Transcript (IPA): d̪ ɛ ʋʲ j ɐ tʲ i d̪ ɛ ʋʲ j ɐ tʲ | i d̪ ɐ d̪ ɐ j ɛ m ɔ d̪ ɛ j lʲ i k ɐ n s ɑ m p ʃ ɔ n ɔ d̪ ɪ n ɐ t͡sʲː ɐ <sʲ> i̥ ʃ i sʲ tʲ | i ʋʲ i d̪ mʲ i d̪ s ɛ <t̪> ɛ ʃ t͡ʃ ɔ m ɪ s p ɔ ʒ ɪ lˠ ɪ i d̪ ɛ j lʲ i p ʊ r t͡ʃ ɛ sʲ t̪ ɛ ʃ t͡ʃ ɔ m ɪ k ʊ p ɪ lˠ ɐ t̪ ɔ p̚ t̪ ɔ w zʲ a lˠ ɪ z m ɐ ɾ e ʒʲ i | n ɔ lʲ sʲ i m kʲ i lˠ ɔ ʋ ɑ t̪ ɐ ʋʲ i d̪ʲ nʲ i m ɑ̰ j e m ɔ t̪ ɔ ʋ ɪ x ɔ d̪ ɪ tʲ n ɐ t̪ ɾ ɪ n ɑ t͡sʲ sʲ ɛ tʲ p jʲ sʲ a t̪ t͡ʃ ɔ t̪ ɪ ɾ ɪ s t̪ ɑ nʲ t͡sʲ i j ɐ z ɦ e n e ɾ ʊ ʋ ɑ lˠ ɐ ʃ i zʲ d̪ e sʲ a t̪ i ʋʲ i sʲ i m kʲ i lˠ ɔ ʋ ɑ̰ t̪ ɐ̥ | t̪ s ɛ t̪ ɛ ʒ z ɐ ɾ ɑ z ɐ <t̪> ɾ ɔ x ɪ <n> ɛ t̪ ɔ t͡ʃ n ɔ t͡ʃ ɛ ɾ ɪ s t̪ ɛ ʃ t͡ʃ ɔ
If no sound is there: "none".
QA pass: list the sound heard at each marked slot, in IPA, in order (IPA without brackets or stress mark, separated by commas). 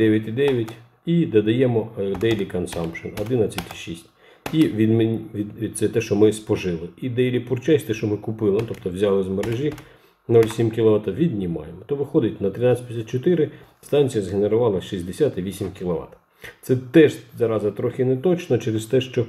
tʲ, t̪, t̪, n